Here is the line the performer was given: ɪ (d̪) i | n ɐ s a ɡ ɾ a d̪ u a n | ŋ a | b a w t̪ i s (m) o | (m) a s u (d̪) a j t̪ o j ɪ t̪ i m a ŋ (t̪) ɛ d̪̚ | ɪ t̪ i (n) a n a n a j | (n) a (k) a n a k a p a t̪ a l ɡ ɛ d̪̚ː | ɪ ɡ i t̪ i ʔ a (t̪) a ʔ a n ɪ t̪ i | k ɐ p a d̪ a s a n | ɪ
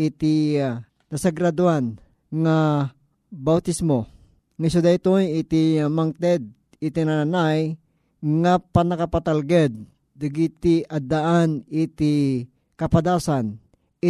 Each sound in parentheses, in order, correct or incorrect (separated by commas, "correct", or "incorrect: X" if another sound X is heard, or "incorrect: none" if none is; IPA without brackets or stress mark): incorrect: t̪, correct, incorrect: ŋ, correct, correct, correct, incorrect: ŋ, incorrect: p, incorrect: d̪